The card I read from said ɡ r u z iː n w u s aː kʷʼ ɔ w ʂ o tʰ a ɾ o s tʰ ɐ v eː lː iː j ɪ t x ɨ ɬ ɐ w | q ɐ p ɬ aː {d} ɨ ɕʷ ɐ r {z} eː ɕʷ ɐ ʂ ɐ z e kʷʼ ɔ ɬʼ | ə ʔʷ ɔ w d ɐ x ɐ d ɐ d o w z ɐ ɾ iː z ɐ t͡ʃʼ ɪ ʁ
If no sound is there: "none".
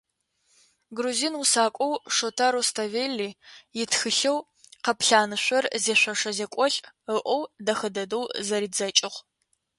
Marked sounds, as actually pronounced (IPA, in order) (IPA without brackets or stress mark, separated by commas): n, z